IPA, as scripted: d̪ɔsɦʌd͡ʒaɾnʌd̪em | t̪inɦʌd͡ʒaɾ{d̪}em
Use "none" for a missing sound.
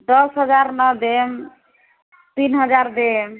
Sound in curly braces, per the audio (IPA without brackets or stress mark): d̪